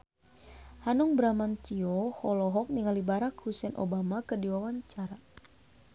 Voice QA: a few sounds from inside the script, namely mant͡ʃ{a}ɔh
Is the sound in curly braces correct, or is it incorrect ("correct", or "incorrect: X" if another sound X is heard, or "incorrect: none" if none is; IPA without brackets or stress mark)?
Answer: incorrect: i